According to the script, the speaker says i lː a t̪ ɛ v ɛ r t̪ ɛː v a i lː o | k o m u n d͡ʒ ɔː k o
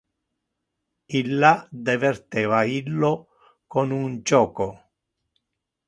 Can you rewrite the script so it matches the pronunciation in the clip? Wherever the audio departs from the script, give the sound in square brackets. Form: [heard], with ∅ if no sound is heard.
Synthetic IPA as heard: i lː a [d̪] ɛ v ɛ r t̪ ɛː v a i lː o | k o [n] u n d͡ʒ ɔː k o